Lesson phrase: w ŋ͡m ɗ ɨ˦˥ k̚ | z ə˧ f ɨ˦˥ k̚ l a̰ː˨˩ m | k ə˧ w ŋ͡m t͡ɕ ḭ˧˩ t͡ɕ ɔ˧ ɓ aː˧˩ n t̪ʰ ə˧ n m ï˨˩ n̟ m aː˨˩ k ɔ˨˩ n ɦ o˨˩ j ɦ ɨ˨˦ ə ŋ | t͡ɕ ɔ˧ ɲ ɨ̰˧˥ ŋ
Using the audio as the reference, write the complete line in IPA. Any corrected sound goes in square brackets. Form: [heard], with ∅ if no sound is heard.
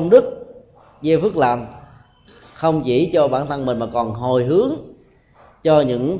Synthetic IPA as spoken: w ŋ͡m ɗ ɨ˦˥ k̚ | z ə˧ f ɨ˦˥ k̚ l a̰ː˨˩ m | [x] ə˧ w ŋ͡m t͡ɕ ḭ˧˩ t͡ɕ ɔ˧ ɓ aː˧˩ n t̪ʰ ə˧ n m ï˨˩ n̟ m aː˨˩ k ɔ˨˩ n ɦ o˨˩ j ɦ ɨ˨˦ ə ŋ | t͡ɕ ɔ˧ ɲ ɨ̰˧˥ ŋ